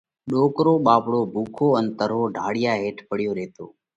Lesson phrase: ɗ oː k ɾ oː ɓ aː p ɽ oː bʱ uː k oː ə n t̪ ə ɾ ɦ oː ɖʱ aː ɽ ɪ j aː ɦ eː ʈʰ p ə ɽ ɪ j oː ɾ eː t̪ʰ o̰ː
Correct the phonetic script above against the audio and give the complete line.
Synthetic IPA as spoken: ɗ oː k ɾ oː ɓ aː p ɽ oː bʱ uː kʰ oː ə n t̪ ə ɾ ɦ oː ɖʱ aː ɽ ɪ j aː ɦ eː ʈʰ p ə ɽ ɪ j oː ɾ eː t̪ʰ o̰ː